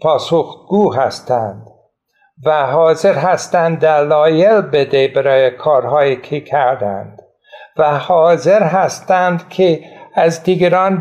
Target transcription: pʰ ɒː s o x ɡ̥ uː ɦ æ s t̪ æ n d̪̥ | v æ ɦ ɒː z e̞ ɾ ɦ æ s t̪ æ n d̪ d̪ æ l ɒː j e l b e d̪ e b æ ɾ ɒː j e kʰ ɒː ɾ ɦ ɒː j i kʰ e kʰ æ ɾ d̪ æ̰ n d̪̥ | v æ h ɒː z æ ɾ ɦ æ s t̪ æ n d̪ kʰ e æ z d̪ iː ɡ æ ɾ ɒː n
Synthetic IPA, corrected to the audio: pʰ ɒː s o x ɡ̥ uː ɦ æ s t̪ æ n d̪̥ | v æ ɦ ɒː z e̞ ɾ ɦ æ s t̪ æ n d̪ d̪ æ l ɒː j e l b e d̪ e b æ ɾ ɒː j e kʰ ɒː ɾ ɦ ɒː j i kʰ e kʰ æ ɾ d̪ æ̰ n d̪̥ | v æ h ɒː z e ɾ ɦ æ s t̪ æ n d̪ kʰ e æ z d̪ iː ɡ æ ɾ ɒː n